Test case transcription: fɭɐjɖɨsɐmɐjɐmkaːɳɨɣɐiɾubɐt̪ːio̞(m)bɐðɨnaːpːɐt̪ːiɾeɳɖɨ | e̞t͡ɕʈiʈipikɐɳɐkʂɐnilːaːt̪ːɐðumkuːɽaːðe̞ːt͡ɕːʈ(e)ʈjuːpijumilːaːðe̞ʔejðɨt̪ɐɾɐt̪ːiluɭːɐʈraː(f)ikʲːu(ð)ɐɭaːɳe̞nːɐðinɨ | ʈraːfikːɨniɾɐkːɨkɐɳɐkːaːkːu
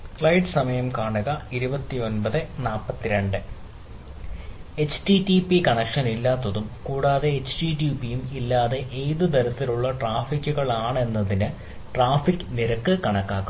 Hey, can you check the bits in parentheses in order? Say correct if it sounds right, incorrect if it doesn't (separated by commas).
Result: incorrect, incorrect, correct, incorrect